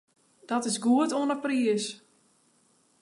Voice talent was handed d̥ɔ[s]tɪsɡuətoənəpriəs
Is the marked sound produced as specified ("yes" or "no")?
no